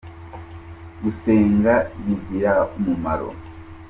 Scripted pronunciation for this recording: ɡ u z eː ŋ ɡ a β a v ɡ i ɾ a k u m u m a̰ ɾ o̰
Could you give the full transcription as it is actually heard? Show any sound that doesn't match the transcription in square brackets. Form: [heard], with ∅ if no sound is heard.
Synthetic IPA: ɡ u [s] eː ŋ ɡ a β [i] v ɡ i ɾ a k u m u m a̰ ɾ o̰